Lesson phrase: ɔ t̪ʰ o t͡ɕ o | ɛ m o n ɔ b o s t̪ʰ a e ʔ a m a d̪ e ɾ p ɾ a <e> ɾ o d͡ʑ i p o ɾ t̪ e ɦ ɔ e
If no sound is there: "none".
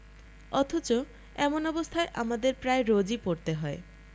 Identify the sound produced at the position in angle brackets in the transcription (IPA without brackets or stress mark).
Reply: e